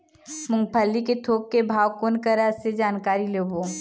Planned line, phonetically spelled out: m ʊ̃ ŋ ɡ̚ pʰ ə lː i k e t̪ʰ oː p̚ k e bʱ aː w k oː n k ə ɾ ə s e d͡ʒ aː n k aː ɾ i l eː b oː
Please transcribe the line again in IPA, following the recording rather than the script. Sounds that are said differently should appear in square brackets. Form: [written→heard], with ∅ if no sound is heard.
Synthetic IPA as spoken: m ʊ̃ ŋ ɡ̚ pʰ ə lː i k e t̪ʰ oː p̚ k e bʱ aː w k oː n k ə ɾ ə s e d͡ʒ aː n k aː ɾ i l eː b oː